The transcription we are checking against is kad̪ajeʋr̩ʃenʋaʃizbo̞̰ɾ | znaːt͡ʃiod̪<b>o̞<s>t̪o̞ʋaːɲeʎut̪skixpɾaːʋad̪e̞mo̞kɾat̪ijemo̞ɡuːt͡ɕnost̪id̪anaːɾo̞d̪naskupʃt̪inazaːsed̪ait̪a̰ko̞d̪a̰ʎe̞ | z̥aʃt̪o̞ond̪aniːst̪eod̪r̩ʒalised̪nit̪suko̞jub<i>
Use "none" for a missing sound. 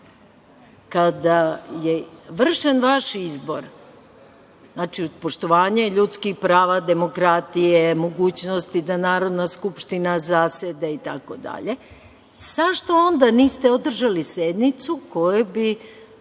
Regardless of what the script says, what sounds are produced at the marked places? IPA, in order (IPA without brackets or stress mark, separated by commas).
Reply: p, ʃ, i